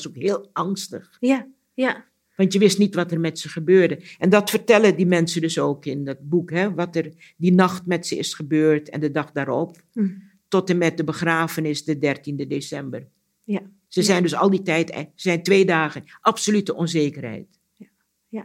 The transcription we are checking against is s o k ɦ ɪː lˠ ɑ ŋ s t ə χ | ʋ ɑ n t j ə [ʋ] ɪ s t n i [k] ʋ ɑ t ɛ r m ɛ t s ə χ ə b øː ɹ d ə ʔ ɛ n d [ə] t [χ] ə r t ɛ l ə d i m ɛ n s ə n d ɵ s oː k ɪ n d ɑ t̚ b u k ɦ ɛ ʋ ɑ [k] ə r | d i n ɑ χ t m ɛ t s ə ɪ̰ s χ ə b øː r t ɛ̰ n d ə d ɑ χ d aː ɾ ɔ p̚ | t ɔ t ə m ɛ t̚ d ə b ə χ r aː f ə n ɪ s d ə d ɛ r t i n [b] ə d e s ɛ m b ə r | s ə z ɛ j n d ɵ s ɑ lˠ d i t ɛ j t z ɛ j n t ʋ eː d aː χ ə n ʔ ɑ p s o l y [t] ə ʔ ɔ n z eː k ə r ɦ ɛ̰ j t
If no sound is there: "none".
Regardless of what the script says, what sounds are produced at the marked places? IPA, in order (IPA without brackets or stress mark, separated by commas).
ʋ, t, ɑ, f, t, d, t